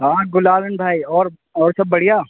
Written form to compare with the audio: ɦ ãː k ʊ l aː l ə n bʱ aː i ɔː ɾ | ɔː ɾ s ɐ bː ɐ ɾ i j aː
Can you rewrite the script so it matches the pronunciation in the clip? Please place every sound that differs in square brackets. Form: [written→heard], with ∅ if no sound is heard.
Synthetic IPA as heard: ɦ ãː [k→ɡ] ʊ l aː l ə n bʱ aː i ɔː ɾ | ɔː ɾ s ɐ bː ɐ [ɾ→ɽ] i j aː